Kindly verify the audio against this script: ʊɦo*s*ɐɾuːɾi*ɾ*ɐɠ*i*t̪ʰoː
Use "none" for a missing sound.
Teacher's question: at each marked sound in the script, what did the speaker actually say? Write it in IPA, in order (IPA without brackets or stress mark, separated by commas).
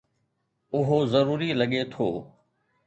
z, l, e